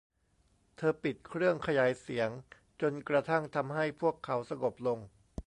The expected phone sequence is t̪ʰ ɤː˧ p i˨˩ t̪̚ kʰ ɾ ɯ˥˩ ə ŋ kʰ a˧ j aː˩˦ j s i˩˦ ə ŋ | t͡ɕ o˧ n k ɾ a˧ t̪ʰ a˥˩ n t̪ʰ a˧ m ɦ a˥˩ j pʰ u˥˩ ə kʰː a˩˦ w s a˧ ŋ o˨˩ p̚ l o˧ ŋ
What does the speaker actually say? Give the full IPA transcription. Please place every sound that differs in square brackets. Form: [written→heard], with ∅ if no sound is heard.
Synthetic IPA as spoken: t̪ʰ ɤː˧ p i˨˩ t̪̚ kʰ ɾ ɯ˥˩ ə ŋ kʰ a˧ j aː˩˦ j s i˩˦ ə ŋ | t͡ɕ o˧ n k ɾ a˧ t̪ʰ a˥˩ [n→ŋ] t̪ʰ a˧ m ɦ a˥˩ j pʰ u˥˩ ə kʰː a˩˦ w s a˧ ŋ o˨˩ p̚ l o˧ ŋ